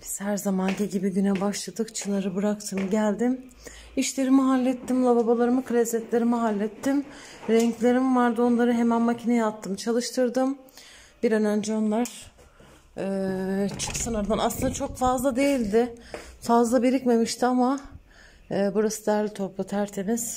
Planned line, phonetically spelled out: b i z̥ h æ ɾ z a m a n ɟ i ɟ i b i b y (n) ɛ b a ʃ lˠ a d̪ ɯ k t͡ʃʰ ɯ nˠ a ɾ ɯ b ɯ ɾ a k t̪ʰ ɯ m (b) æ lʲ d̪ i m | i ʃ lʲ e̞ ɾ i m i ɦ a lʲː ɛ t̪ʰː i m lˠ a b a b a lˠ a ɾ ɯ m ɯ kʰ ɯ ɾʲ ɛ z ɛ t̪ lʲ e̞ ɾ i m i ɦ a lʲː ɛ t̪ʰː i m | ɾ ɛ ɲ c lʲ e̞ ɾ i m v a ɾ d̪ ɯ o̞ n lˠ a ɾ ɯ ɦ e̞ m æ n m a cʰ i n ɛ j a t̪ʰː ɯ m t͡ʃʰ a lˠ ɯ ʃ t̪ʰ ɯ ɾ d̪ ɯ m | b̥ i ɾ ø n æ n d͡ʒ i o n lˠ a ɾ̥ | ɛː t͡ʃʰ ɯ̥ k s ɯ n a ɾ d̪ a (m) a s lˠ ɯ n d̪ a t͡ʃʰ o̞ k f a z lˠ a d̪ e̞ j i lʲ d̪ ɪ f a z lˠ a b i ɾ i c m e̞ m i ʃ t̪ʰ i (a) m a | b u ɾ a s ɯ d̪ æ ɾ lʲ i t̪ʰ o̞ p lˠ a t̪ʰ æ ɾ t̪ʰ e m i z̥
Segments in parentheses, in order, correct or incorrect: correct, incorrect: ɟ, incorrect: n, correct

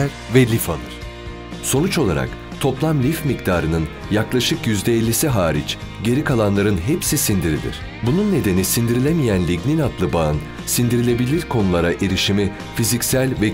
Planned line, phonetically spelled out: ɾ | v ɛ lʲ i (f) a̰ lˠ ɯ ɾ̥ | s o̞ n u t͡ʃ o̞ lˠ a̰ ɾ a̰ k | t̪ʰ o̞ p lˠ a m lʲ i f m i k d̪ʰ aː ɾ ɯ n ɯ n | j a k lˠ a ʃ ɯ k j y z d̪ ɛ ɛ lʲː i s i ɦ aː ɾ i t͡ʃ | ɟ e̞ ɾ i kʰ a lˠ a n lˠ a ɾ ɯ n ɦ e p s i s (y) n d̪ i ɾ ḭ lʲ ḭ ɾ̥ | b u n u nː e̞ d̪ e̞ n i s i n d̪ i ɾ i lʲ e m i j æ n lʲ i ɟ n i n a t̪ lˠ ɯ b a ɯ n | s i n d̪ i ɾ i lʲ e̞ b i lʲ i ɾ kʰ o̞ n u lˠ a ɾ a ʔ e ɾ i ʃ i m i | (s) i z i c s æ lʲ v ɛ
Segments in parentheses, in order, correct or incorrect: correct, incorrect: i, incorrect: f

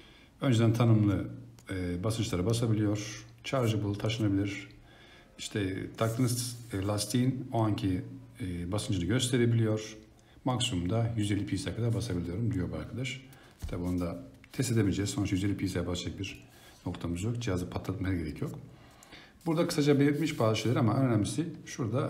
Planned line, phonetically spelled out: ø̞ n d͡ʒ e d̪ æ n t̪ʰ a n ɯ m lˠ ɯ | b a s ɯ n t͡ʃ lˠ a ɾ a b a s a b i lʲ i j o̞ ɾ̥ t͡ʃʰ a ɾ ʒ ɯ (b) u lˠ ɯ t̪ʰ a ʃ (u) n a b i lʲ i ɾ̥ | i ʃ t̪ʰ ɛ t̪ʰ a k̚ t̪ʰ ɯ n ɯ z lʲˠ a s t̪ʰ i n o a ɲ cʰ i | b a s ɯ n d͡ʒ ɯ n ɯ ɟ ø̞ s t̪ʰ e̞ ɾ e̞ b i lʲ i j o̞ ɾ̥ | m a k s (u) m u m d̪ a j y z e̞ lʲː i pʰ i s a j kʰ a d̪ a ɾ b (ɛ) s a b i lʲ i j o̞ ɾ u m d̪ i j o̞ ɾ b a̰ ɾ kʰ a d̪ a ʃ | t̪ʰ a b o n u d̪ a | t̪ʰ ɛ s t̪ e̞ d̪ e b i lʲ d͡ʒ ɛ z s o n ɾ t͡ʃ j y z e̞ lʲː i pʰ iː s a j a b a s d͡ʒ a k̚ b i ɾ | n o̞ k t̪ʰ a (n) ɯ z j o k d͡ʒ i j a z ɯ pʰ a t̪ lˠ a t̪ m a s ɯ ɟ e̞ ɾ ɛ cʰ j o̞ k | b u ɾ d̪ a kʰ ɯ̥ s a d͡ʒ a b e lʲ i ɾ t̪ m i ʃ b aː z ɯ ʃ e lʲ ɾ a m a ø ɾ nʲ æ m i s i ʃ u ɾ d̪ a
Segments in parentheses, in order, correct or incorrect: correct, incorrect: ɯ, correct, incorrect: a, incorrect: m

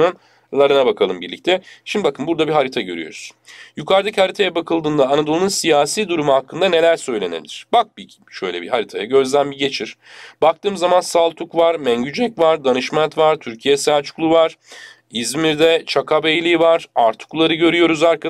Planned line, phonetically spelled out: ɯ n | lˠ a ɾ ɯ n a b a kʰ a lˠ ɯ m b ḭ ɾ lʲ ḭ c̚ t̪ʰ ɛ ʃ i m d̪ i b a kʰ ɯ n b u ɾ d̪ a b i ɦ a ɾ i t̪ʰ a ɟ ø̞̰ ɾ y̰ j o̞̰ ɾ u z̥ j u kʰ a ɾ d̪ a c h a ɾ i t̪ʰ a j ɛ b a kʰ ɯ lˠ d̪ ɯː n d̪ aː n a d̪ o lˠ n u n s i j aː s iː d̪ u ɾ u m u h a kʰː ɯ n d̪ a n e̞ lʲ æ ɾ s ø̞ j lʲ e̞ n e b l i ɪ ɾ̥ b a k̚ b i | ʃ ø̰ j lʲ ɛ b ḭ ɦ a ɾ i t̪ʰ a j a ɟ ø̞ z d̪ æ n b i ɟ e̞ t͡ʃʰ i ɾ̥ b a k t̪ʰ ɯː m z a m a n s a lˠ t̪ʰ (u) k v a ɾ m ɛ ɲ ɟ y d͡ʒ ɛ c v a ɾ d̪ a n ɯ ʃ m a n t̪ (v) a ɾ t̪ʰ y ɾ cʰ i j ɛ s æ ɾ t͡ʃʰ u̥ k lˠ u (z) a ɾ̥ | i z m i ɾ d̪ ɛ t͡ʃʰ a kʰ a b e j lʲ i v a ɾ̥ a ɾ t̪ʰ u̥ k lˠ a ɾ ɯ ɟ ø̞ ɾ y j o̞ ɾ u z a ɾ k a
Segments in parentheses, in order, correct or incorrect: correct, correct, incorrect: v

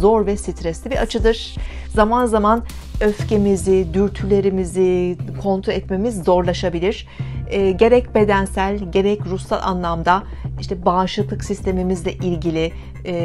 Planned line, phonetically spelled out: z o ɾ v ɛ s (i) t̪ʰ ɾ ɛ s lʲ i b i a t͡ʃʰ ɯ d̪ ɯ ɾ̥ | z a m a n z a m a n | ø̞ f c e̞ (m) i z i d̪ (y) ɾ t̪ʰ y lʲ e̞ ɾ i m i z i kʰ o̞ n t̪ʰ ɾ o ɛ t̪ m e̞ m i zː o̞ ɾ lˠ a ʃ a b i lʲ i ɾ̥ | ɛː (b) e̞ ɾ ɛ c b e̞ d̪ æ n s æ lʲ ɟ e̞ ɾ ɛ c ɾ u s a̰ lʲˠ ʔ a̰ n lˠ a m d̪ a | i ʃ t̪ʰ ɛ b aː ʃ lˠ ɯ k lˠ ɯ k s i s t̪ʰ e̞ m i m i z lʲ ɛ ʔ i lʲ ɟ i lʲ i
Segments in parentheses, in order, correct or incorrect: correct, correct, correct, incorrect: ɟ

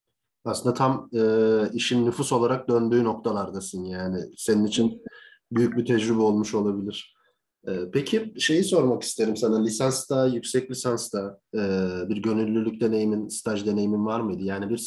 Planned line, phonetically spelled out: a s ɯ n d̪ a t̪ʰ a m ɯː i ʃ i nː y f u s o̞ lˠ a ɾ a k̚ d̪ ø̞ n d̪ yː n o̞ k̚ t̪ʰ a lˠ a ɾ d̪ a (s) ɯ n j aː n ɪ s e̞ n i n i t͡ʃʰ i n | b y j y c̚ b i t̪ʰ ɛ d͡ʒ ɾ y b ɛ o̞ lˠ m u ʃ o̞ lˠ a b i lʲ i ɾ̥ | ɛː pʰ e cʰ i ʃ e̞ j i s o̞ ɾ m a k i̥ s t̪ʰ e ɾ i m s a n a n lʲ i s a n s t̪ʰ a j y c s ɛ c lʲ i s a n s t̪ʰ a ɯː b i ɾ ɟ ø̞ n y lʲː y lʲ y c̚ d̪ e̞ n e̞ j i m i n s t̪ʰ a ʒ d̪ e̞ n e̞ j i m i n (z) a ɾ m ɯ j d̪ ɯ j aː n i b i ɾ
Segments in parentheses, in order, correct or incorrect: correct, incorrect: v

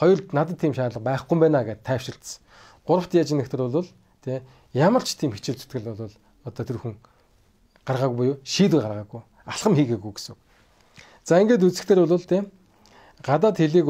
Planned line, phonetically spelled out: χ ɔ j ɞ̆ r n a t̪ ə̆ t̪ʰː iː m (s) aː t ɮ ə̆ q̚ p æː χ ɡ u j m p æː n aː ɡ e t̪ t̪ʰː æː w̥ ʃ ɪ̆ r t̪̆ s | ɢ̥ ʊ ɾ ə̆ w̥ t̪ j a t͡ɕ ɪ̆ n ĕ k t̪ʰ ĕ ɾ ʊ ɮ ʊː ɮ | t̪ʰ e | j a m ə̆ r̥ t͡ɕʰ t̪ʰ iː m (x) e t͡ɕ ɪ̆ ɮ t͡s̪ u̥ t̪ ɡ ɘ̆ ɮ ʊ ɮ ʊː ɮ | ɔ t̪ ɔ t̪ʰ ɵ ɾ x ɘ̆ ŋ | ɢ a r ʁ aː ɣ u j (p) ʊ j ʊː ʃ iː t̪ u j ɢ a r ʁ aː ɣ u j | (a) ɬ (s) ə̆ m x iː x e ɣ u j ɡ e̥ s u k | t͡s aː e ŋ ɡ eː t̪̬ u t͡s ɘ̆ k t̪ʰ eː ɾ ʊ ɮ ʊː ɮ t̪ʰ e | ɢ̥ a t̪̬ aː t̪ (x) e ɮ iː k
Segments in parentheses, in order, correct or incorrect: incorrect: ʃ, correct, correct, correct, incorrect: χ, correct

